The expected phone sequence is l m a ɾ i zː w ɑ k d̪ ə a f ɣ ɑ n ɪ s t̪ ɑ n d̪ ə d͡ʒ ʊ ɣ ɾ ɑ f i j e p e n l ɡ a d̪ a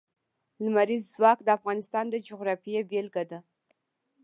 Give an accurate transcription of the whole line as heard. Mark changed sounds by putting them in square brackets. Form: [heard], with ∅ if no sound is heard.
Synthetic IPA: l m a ɾ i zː w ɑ k d̪ ə a f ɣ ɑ n ɪ s t̪ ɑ n d̪ ə d͡ʒ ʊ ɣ ɾ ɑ f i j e [b] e [∅] l ɡ a d̪ a